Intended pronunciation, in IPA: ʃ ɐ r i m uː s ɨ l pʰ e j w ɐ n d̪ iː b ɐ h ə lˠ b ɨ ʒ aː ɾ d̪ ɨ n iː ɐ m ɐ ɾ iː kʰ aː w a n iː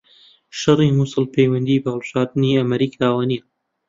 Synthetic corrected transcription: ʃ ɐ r i m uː s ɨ l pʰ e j w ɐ n d̪ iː b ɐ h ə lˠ b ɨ ʒ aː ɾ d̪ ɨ n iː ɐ m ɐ ɾ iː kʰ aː w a n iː